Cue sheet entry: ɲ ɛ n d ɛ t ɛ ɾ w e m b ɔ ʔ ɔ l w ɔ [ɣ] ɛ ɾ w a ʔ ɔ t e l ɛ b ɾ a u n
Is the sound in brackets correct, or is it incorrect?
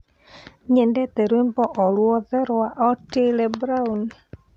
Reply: incorrect